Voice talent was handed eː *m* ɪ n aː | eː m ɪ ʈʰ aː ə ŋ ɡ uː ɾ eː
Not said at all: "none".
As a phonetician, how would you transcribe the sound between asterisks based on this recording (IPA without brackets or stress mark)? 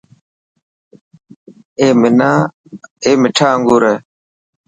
m